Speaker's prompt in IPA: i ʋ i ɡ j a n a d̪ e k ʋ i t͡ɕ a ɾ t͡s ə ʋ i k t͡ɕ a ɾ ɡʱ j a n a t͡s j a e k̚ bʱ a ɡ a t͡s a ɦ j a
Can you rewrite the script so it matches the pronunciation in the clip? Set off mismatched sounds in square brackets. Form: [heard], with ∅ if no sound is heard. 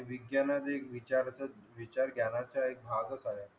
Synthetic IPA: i ʋ i ɡ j a n a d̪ e k ʋ i t͡ɕ a ɾ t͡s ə ʋ i [∅] t͡ɕ a ɾ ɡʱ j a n a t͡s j a e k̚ bʱ a ɡ [ə] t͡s a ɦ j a